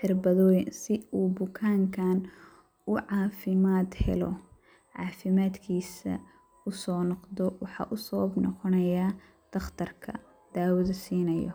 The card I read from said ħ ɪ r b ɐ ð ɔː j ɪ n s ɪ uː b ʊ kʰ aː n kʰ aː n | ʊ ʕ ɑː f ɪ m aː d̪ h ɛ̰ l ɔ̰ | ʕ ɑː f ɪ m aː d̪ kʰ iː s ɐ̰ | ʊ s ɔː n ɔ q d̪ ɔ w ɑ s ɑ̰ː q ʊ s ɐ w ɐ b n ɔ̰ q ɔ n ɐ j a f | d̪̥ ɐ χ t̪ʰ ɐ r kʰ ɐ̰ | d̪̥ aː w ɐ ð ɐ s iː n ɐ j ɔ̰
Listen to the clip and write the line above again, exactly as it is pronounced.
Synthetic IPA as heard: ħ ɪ r b ɐ ð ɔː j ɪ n s ɪ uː b ʊ kʰ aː ŋ kʰ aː n | ʊ ʕ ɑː f ɪ m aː d̪ h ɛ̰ l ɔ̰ | ʕ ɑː f ɪ m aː d̪ kʰ iː s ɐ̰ | ʊ s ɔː n ɔ q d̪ ɔ w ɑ ħ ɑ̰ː ʔ ʊ s ɐ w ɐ b n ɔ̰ q ɔ n ɐ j a | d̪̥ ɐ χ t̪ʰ ɐ r kʰ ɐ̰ | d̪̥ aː w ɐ ð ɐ s iː n ɐ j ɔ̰